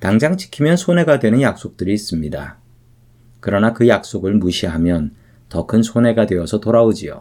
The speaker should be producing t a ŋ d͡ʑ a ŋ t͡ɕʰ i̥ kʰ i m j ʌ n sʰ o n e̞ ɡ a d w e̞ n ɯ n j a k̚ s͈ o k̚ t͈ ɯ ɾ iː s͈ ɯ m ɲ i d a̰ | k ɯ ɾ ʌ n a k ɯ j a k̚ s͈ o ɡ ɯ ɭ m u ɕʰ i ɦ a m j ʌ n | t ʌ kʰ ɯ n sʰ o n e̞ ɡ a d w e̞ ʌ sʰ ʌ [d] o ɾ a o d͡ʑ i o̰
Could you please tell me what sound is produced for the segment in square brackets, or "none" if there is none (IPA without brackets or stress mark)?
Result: t